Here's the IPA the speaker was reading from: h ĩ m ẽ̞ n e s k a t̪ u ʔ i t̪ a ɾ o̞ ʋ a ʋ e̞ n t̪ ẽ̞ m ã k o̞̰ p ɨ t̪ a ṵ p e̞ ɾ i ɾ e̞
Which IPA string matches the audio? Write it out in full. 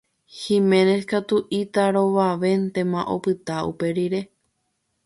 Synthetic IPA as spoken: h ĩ m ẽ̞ n e s k a t̪ u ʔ i t̪ a ɾ o̞ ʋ a ʋ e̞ n t̪ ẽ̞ m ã ʔ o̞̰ p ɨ t̪ a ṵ p e̞ ɾ i ɾ e̞